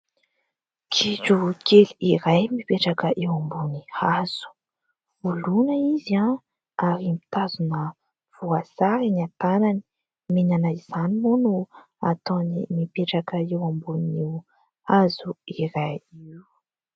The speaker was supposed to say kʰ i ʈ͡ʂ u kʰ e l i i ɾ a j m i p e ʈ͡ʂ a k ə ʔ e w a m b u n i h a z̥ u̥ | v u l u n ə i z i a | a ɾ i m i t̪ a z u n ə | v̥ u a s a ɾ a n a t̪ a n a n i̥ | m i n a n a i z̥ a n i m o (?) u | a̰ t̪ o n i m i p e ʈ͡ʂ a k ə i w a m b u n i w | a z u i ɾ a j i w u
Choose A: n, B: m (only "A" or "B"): A